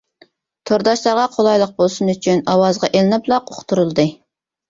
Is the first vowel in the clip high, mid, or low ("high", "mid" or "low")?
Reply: mid